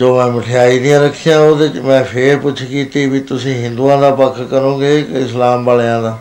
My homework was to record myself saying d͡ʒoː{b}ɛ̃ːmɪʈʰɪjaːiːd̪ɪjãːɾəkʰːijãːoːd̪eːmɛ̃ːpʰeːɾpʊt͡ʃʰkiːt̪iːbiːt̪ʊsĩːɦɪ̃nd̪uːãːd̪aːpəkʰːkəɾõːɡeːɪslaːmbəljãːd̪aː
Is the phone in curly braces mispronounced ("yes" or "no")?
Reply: yes